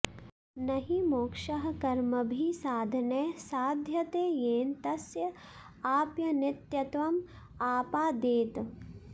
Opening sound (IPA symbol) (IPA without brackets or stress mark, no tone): n